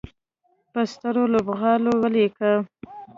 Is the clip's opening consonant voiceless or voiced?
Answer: voiceless